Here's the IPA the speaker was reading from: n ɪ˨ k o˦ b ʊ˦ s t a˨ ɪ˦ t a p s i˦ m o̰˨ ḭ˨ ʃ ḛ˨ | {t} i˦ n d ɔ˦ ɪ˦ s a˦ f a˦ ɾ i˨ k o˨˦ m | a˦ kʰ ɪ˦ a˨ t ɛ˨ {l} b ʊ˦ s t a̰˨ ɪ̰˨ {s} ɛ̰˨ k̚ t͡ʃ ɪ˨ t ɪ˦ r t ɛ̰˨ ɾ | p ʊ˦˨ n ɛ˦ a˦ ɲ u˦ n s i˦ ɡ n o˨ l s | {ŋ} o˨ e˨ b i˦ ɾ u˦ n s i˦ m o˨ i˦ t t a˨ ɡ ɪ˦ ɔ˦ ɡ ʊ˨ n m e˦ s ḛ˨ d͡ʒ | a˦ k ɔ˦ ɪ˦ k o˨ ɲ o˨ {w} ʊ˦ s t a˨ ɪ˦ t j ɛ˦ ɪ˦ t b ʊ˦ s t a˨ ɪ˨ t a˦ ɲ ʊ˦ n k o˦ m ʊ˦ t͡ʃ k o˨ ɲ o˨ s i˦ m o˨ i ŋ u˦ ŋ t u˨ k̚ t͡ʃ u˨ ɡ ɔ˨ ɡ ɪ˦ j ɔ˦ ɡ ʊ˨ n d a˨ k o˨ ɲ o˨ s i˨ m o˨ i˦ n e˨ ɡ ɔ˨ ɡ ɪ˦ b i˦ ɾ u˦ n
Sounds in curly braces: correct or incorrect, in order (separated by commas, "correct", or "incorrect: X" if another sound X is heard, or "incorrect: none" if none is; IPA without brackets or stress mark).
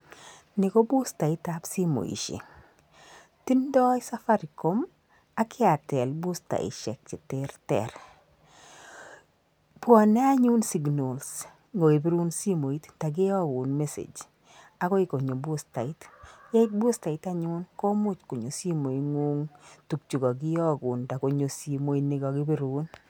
correct, correct, incorrect: ʃ, correct, incorrect: b